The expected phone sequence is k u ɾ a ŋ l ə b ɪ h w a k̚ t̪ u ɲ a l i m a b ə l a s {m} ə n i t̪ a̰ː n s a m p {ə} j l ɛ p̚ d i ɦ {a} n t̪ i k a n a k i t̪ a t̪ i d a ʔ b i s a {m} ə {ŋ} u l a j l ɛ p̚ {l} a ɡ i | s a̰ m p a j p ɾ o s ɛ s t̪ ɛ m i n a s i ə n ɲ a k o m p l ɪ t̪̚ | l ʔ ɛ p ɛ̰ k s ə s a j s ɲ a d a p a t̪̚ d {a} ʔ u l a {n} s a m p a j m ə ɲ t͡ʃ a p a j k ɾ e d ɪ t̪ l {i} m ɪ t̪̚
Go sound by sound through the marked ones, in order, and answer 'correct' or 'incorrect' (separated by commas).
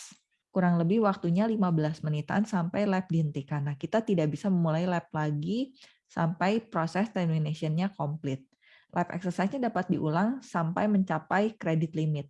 correct, incorrect, incorrect, correct, incorrect, correct, incorrect, incorrect, correct